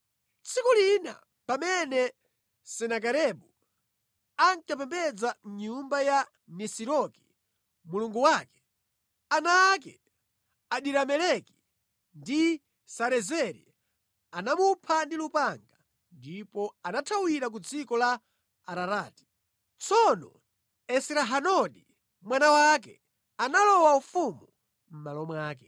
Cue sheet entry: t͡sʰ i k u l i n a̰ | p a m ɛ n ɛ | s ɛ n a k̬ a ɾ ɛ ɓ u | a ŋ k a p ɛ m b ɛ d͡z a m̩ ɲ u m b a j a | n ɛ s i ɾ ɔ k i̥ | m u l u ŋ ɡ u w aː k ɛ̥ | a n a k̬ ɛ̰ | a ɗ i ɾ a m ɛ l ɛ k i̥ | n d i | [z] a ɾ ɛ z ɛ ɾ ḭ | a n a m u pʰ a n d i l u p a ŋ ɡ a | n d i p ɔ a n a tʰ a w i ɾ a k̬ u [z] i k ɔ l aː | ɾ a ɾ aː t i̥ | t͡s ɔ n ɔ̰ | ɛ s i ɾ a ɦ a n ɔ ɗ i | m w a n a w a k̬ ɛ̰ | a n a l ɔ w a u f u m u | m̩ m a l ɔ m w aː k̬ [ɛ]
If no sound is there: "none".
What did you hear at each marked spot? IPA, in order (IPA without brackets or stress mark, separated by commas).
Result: s, d͡z, ɛ